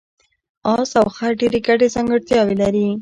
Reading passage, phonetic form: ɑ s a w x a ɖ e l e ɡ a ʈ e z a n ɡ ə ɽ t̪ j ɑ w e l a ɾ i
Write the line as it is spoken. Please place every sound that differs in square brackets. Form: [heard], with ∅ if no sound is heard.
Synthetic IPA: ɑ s a w x a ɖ e [ɾ] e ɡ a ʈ e z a [ŋ] ɡ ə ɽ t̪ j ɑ w e l a ɾ i